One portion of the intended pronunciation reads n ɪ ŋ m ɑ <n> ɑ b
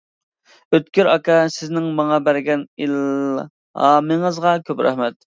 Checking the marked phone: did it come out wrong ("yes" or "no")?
yes